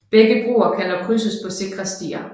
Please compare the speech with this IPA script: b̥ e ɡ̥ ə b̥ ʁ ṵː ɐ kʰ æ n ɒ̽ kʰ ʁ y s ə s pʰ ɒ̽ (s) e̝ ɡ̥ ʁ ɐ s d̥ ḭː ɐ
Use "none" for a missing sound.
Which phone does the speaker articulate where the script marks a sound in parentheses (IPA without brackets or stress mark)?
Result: s